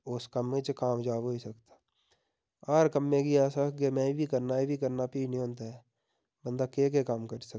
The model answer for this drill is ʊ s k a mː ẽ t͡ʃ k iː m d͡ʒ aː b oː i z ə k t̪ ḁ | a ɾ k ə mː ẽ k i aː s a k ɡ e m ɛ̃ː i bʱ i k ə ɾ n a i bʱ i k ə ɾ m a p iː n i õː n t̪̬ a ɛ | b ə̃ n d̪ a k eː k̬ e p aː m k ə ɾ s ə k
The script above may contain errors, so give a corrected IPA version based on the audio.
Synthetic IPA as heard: ʊ s k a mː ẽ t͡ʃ k aː m d͡ʒ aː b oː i s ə k t̪ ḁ | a ɾ k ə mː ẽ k i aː s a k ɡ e m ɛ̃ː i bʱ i k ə ɾ n a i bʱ i k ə ɾ n a p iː n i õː n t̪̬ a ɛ | b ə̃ n d̪ a k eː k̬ e k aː m k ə ɾ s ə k